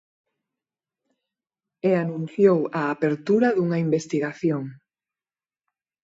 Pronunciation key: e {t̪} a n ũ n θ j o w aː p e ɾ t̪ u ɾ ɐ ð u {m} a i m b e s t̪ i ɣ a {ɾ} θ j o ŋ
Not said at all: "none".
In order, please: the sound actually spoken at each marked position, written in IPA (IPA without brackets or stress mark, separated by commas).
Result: none, ŋ, none